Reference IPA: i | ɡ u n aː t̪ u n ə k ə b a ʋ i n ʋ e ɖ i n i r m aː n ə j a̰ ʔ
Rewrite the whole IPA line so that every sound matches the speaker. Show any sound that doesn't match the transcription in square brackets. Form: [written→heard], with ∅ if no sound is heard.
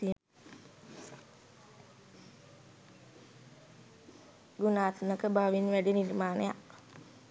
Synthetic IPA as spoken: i | ɡ u n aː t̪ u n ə k ə b a ʋ i n ʋ [e→æ] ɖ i n i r m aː n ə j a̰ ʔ